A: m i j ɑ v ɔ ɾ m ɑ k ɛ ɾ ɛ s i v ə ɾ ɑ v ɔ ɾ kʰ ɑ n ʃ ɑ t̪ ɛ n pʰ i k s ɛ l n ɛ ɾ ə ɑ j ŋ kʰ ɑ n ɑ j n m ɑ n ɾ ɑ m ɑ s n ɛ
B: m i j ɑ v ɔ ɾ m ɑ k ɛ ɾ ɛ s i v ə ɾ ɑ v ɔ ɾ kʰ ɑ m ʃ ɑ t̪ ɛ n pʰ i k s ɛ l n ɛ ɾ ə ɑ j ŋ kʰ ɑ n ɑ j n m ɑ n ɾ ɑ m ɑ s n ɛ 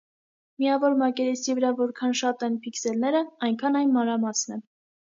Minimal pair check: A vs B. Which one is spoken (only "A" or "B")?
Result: A